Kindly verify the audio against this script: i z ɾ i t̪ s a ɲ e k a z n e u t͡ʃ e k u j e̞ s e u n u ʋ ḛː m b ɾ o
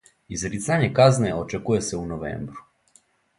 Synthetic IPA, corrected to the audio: i z ɾ i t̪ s a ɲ e k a z n e o t͡ʃ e k u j e̞ s e u n o ʋ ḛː m b ɾ u